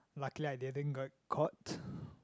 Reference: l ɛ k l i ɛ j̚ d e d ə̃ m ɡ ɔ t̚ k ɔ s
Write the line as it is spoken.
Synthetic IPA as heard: l a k l i a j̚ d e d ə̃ n ɡ ɔ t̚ kʰ ɔ t